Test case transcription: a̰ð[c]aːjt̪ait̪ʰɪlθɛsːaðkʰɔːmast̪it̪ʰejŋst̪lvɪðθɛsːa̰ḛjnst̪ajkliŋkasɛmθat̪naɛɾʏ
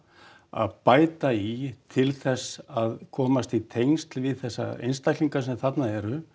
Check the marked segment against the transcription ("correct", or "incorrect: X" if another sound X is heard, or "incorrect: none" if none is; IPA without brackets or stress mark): incorrect: p